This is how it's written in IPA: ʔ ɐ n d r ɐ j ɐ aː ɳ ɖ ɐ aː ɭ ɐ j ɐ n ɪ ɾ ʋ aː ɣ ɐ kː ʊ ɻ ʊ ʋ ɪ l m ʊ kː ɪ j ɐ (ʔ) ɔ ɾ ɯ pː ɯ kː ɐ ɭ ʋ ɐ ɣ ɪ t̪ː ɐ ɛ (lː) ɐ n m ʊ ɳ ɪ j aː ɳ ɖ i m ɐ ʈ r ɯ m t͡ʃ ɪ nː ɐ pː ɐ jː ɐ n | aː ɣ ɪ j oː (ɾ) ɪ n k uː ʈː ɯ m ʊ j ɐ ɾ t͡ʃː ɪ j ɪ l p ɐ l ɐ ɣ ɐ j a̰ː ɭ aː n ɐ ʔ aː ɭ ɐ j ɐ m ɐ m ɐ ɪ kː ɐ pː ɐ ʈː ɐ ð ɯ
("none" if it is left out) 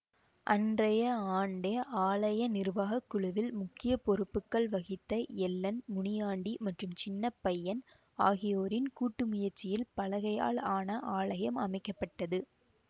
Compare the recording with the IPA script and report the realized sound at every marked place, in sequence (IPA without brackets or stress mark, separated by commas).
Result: p, lː, ɾ